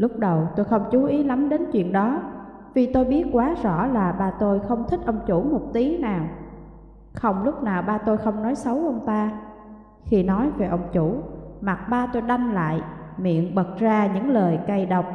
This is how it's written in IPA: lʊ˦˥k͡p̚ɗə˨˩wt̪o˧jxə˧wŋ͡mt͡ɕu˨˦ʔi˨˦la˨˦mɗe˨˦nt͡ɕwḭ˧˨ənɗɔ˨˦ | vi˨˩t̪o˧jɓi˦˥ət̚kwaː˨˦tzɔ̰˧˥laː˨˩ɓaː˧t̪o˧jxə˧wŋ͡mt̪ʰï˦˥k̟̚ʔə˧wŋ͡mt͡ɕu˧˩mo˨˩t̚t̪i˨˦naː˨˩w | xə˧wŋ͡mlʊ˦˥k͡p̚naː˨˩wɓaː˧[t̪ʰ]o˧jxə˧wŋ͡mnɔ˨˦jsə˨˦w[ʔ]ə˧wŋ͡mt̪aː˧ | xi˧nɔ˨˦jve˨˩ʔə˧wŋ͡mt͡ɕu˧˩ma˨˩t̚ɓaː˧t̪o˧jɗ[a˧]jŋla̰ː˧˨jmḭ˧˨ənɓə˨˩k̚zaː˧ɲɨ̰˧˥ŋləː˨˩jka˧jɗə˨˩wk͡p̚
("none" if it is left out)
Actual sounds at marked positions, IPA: t̪, ʔ, a˧

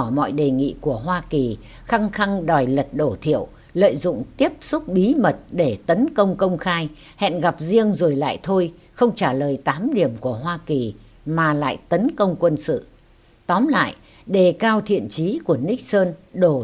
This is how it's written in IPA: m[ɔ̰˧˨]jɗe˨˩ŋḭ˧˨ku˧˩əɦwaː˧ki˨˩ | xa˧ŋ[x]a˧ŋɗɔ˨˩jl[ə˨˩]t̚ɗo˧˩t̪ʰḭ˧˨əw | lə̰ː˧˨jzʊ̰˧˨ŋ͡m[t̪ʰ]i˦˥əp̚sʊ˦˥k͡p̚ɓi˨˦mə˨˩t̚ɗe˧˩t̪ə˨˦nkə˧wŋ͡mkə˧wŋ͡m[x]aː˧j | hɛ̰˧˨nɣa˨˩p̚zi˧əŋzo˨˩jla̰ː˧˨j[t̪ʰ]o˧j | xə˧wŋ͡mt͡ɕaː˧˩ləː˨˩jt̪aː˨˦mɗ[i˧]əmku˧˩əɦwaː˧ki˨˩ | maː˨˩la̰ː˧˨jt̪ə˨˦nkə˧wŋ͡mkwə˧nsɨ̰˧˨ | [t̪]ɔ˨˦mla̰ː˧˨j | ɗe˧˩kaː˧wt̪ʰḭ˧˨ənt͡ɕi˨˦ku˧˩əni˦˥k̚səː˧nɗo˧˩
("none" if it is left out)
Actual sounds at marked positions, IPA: ɔ̰˧˨, x, ə˨˩, t̪, x, t̪ʰ, i˧˩, t̪

